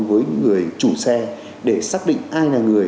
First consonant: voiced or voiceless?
voiced